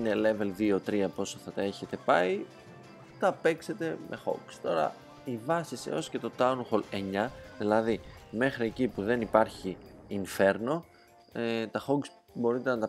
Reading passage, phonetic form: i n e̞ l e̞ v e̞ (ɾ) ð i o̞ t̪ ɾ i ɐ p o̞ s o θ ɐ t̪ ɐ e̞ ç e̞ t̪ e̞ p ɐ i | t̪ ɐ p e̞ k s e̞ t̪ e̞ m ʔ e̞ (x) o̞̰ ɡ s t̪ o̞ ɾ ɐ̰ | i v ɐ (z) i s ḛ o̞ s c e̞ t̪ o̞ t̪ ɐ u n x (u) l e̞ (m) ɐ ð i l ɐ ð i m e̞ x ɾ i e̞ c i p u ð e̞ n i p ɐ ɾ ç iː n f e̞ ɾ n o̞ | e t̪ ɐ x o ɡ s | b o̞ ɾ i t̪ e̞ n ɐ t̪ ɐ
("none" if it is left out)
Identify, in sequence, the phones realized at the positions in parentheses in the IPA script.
l, x, s, o, ɲ

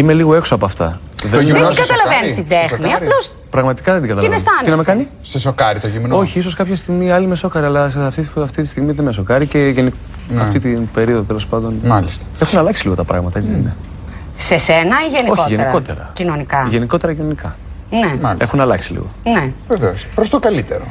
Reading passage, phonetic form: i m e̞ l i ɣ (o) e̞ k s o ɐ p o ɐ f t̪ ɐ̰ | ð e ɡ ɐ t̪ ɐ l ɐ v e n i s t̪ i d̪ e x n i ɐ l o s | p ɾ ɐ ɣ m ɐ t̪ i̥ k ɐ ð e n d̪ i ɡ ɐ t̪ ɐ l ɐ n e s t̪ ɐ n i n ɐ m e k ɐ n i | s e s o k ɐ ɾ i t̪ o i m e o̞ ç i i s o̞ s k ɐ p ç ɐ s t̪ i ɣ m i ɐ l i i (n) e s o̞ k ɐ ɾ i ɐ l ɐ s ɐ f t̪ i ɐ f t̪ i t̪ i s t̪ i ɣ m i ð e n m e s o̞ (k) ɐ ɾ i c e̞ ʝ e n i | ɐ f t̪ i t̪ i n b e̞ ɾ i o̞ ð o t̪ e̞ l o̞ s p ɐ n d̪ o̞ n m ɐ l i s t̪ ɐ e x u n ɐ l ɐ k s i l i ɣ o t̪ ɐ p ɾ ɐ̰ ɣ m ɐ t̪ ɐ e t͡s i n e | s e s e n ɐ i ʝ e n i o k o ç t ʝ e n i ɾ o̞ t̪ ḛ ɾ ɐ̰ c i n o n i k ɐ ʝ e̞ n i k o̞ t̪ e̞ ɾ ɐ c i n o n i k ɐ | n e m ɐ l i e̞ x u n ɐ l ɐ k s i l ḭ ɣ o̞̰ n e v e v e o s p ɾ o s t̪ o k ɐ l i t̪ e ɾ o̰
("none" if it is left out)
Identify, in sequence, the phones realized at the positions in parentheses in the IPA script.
o, m, k

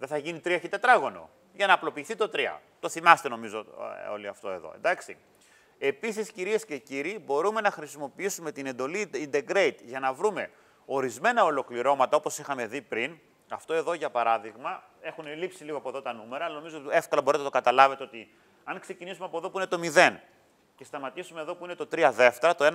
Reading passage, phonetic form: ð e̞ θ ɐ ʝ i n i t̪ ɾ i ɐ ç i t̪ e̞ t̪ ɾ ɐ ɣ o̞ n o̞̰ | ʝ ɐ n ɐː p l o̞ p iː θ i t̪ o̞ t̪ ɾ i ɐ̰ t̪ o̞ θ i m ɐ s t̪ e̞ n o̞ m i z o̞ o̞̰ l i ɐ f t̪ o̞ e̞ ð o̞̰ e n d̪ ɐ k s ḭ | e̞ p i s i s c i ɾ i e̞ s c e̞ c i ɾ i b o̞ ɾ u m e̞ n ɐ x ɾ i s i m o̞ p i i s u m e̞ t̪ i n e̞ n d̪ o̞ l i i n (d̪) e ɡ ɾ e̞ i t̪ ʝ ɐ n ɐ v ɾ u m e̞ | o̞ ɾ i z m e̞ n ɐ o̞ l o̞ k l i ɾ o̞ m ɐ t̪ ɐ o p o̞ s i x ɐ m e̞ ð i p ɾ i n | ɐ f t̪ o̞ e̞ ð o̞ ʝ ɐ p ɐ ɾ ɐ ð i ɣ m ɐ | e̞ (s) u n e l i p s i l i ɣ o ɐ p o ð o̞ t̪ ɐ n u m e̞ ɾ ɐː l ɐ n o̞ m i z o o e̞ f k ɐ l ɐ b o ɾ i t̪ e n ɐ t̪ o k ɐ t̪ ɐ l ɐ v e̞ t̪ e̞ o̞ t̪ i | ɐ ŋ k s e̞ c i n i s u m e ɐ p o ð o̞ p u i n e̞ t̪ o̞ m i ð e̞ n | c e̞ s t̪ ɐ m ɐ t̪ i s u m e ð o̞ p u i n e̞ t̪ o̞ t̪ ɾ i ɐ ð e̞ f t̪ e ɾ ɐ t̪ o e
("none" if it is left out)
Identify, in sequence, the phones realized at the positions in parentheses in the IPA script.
d̪, x

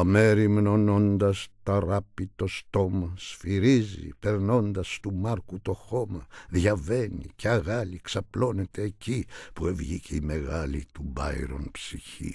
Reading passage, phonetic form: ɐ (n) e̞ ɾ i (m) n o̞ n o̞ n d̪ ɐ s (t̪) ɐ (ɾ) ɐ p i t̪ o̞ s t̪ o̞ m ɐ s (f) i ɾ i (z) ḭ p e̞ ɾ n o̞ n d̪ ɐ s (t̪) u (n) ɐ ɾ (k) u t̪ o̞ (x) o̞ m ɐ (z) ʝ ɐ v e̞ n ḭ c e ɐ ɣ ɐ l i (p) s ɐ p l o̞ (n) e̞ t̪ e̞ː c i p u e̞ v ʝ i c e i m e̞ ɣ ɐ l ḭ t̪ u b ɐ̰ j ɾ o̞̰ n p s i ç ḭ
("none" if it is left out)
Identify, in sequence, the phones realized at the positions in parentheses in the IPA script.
m, m, t̪, ɾ, f, z, t̪, m, k, x, ð, k, n

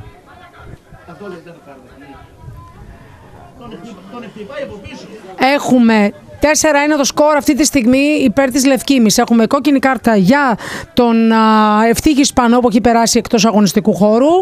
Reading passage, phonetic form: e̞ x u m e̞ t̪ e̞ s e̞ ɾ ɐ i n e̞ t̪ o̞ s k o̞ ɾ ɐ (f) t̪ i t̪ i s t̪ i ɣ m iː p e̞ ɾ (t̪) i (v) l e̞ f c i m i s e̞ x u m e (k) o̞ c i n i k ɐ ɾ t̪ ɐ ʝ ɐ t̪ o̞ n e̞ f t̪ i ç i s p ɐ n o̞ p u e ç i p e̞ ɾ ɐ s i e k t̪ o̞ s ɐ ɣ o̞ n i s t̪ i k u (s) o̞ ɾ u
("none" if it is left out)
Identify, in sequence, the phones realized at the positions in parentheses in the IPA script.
f, t̪, z, k, x

